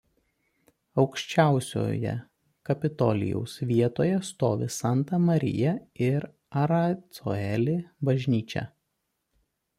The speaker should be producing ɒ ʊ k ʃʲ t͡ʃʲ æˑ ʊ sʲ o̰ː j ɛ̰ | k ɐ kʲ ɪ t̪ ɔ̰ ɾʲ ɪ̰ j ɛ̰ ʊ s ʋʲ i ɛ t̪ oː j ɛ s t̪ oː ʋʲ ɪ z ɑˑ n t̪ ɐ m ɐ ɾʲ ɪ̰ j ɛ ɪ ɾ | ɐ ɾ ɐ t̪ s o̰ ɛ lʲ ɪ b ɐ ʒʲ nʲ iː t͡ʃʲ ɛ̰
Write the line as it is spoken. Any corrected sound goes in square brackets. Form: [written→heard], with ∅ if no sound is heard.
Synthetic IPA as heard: ɒ ʊ k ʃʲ t͡ʃʲ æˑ ʊ sʲ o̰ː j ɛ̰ | k ɐ [kʲ→pʲ] ɪ t̪ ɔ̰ [ɾʲ→lʲ] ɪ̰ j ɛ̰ ʊ s ʋʲ i ɛ t̪ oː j ɛ s t̪ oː ʋʲ ɪ [z→s] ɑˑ n t̪ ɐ m ɐ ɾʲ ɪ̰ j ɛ ɪ ɾ | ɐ ɾ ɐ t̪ s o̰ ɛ lʲ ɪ b ɐ ʒʲ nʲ iː t͡ʃʲ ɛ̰